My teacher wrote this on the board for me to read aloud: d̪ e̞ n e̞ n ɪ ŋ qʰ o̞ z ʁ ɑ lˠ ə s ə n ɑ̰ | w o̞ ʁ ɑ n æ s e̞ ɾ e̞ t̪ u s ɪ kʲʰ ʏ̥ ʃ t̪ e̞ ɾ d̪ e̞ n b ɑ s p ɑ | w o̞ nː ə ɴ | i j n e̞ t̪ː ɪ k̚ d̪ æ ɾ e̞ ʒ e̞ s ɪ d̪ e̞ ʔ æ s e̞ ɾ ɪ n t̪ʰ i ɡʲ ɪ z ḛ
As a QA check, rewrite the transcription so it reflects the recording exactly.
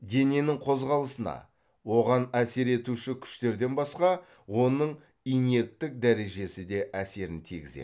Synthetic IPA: d̪ e̞ n e̞ n ɪ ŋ qʰ o̞ z ʁ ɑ lˠ ə s ə n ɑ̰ | w o̞ ʁ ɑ n æ s e̞ ɾ e̞ t̪ u ʃ ɪ kʲʰ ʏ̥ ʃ t̪ e̞ ɾ d̪ e̞ n b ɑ s q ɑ | w o̞ n ə ɴ | i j n e̞ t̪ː ɪ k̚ d̪ æ ɾ e̞ ʒ e̞ s ɪ d̪ e̞ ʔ æ s e̞ ɾ ɪ n t̪ʰ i ɡʲ ɪ z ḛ